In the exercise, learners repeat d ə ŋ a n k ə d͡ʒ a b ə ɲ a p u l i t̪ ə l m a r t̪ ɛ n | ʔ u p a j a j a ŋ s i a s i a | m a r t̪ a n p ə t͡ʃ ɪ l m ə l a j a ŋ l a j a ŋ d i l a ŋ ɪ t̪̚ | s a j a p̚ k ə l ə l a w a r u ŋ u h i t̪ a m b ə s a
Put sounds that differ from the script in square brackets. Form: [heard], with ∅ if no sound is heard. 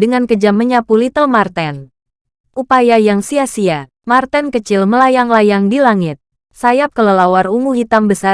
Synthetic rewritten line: d ə ŋ a n k ə d͡ʒ a [m] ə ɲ a p u l i t̪ ə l m a r t̪ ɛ n | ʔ u p a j a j a ŋ s i a s i a | m a r t̪ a n [k] ə t͡ʃ ɪ l m ə l a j a ŋ l a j a ŋ d i l a ŋ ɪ t̪̚ | s a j a p̚ k ə l ə l a w a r u ŋ u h i t̪ a m b ə s a